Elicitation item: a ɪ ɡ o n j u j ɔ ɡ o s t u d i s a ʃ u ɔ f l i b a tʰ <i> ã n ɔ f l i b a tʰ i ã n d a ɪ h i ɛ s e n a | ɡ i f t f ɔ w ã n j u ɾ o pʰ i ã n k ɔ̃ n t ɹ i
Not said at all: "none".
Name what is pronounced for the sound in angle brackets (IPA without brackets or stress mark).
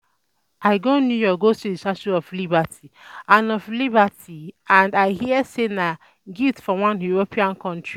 i